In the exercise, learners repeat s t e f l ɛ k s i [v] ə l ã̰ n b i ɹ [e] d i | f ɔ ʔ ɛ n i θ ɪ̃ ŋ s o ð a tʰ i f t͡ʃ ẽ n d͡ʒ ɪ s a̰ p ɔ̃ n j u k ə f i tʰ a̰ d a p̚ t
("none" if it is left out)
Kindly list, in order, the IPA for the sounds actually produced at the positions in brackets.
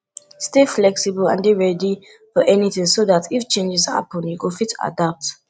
b, ɛ

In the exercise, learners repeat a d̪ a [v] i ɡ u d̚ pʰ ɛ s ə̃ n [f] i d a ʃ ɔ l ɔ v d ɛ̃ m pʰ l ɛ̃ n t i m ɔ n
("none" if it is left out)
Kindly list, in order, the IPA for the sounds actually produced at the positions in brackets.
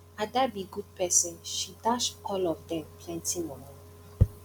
b, ʃ

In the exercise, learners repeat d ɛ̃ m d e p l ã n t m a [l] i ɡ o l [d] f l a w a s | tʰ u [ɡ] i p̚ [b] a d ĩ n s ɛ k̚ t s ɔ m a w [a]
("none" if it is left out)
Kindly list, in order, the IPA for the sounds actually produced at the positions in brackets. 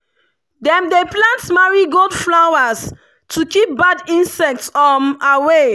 ɹ, d, k, b, e

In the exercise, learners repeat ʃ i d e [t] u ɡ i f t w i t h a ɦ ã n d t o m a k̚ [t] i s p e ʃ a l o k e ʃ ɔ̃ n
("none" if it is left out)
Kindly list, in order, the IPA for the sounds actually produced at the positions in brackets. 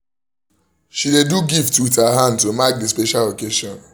d, d

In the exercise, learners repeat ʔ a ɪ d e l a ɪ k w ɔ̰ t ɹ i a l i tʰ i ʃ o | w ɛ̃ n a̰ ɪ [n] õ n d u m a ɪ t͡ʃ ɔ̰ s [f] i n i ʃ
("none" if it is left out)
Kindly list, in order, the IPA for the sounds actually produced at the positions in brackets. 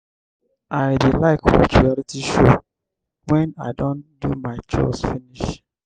d, f

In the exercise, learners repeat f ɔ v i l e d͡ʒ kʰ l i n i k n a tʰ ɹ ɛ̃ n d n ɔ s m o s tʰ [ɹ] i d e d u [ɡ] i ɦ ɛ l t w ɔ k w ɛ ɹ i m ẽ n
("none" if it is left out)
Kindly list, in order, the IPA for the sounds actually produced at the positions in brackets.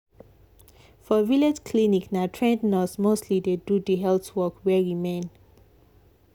l, d

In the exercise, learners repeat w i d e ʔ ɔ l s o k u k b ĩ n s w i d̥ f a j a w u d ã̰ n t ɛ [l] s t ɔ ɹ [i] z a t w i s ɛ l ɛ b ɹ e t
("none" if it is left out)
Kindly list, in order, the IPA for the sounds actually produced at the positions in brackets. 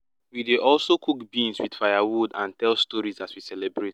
l, i

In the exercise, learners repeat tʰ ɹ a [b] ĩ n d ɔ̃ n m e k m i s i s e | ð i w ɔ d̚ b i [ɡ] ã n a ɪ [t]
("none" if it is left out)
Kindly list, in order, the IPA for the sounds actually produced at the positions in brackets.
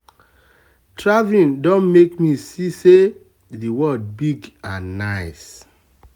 v, ɡ, s

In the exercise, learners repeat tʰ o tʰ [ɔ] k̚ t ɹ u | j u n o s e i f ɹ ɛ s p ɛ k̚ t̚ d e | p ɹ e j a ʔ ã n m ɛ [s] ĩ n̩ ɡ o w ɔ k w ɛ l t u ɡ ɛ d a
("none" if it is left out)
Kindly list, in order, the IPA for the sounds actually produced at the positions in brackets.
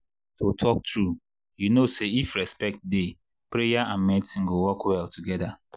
ɔ, t

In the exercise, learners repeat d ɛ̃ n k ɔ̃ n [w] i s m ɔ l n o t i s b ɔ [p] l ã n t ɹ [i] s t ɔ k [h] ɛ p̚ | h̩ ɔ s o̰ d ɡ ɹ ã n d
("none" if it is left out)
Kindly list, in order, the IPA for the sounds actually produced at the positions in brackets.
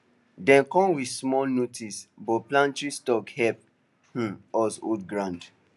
w, p, i, h

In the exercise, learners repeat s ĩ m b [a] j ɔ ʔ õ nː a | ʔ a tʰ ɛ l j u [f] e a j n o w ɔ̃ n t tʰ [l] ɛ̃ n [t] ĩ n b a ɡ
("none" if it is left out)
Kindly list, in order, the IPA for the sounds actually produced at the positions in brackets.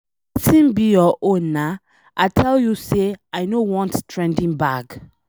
i, s, ɹ, d

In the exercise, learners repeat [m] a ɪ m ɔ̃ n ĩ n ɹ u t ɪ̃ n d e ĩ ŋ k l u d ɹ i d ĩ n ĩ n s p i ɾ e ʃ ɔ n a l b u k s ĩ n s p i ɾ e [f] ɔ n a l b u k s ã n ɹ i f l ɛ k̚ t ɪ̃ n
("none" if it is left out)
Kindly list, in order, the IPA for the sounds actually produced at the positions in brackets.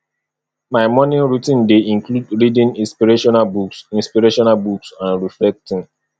m, ʃ

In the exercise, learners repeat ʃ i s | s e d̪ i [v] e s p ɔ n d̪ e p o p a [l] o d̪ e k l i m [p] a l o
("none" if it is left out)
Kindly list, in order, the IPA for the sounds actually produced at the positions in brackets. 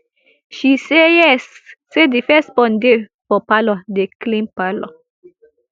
f, l, p

